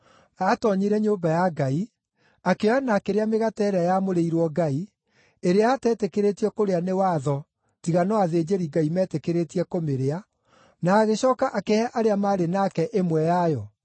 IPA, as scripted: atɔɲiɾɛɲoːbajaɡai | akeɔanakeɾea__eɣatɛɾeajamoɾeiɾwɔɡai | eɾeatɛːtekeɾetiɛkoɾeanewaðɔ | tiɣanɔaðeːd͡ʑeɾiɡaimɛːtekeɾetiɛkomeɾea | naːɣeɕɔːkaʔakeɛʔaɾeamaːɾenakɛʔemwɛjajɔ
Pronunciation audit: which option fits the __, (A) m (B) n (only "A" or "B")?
A